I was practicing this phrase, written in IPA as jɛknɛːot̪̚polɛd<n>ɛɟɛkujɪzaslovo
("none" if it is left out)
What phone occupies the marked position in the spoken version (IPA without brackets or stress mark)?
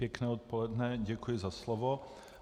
n